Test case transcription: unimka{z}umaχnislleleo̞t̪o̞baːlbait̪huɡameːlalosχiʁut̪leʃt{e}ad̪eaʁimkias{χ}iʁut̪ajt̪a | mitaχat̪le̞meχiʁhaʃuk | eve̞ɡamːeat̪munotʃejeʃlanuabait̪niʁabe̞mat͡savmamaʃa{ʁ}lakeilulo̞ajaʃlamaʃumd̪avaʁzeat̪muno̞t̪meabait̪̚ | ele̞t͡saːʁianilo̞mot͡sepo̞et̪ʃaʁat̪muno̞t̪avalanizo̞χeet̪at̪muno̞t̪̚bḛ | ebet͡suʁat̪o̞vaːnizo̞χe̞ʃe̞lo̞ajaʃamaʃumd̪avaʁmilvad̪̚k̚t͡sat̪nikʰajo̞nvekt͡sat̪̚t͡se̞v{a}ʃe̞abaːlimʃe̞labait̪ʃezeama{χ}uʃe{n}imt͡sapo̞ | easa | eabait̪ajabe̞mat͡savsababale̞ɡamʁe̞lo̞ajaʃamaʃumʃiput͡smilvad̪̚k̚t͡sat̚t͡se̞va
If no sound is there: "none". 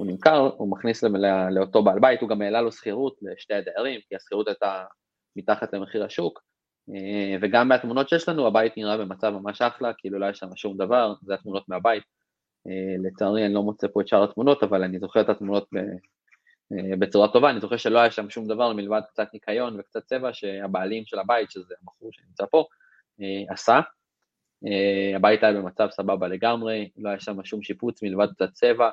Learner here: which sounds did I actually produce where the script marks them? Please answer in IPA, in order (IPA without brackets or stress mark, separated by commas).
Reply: ʁ, e, χ, χ, a, χ, n